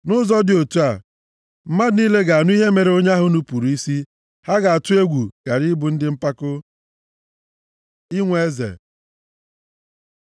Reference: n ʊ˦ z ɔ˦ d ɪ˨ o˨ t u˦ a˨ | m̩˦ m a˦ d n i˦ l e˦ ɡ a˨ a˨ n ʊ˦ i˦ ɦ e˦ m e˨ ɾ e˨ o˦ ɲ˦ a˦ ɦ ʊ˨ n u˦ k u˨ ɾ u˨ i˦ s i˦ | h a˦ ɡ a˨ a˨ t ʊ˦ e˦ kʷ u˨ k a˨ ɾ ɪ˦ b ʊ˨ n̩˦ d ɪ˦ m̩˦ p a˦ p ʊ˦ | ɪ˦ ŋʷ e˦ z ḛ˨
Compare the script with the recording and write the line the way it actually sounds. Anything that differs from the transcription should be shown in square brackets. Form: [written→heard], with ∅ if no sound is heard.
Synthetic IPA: n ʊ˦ z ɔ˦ d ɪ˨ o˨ t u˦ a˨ | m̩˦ m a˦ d n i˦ l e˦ ɡ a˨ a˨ n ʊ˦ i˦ ɦ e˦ m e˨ ɾ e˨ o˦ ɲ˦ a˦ ɦ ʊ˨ n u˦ [k→p] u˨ ɾ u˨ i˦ s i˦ | h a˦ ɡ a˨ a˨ t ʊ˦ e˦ [kʷ→ɡʷ] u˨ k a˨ ɾ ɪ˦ b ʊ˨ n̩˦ d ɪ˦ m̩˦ p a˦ [p→k] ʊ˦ | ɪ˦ ŋʷ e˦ z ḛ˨